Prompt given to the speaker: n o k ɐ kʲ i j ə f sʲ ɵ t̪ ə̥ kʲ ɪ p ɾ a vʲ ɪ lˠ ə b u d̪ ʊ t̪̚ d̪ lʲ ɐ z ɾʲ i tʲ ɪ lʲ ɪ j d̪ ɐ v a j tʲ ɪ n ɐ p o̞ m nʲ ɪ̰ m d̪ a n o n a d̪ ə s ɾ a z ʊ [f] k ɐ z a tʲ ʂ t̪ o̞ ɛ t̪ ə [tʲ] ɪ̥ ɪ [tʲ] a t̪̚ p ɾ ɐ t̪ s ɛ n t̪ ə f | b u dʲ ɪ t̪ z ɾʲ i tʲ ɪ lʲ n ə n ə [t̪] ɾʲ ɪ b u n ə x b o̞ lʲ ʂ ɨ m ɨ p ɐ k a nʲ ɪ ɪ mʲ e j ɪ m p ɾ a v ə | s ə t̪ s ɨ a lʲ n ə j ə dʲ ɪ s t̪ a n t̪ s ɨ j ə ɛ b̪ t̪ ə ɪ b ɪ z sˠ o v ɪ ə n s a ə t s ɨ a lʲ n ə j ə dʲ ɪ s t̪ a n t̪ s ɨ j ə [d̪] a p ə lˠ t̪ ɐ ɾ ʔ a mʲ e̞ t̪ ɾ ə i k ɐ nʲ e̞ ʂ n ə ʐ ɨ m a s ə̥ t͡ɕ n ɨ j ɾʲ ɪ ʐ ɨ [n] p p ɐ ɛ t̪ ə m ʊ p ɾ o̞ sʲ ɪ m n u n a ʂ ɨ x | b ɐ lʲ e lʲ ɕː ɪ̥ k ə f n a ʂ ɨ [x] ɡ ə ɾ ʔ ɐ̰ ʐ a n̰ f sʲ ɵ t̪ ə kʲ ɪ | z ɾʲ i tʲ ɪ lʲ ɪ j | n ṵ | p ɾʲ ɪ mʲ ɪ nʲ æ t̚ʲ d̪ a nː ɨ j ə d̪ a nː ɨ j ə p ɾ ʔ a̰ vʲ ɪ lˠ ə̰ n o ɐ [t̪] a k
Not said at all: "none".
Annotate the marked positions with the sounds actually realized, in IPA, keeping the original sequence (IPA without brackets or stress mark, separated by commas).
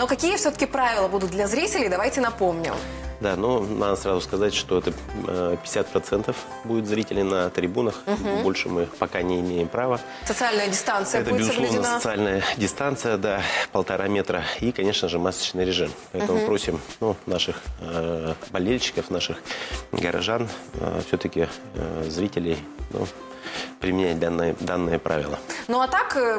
s, pʲ, sʲ, t̪, d̪, m, x, t̪